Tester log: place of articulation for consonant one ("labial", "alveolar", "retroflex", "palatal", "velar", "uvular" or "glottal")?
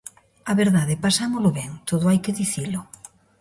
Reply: labial